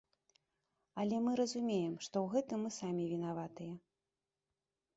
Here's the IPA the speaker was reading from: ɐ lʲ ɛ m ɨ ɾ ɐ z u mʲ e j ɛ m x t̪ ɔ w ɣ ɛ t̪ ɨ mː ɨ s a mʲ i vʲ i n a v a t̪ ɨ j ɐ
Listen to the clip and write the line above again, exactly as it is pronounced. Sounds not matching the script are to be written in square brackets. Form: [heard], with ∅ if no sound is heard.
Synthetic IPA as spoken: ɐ lʲ ɛ m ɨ ɾ ɐ z u mʲ e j ɛ m [ʂ] t̪ ɔ w ɣ ɛ t̪ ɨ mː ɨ s a mʲ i vʲ i n a v a t̪ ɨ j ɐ